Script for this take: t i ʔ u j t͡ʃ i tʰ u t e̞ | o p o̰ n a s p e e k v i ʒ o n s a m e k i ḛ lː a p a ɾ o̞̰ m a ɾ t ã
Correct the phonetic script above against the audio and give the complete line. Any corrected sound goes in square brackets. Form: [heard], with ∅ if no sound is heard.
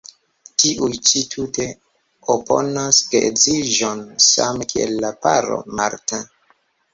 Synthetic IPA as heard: t i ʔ u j t͡ʃ i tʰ u t e̞ | o p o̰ n a s [k] e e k [z] i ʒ o n s a m e k i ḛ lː a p a ɾ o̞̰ m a ɾ t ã